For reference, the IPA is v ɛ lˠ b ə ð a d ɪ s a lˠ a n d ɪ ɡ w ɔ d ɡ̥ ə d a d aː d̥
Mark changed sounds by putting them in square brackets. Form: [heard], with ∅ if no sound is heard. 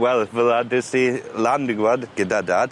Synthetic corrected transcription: [w] ɛ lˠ [v] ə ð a d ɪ s [i] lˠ a n d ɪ ɡ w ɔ d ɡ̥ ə d a d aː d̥

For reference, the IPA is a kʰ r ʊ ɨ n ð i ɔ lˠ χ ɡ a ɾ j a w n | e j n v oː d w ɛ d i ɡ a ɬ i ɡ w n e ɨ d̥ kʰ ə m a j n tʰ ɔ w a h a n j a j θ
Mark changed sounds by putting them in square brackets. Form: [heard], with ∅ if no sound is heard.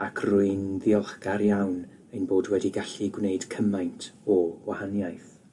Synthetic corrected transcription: a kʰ r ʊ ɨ n ð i ɔ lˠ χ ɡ a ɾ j a w n | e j n [b] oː d w ɛ d i ɡ a ɬ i ɡ w n e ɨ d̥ kʰ ə m a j n tʰ ɔ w a h a n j a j θ

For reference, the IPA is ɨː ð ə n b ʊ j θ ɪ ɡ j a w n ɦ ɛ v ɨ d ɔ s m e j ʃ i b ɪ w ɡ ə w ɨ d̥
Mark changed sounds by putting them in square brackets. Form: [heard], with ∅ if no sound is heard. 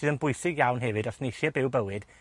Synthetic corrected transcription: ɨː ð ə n b ʊ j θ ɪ ɡ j a w n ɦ ɛ v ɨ d ɔ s [n] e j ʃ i b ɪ w [b] ə w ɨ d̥

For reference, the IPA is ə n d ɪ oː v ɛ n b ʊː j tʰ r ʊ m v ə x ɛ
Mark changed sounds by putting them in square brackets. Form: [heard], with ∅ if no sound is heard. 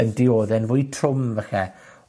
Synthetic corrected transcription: ə n d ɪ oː [ð] ɛ n [v] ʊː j tʰ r ʊ m v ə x ɛ

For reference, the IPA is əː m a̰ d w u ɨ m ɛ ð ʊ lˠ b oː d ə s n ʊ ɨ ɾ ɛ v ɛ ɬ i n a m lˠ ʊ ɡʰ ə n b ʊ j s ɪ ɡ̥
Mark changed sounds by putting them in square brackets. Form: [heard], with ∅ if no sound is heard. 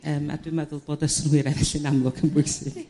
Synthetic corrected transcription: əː m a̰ d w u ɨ m ɛ ð ʊ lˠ b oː d ə s n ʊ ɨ ɾ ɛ v ɛ ɬ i n a m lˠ ʊ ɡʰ ə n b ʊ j s ɪ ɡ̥

